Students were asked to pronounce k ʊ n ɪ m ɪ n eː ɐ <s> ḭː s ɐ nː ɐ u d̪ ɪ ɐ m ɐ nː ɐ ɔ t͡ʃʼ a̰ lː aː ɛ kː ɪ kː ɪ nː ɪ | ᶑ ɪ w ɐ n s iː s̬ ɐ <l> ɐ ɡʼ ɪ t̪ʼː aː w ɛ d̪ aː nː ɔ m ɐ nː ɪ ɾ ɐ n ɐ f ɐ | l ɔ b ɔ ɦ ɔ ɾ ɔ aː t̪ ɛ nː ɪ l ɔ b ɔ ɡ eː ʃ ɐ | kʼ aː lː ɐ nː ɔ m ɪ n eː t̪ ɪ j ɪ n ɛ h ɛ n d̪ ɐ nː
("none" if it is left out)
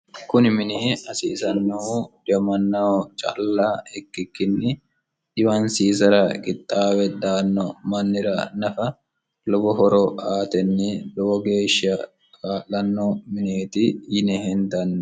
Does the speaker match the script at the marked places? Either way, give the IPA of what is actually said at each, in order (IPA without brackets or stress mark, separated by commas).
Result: s, ɾ